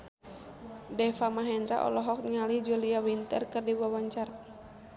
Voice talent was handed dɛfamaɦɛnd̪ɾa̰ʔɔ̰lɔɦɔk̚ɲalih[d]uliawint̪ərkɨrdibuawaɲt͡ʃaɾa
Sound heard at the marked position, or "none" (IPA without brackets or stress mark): d͡ʒ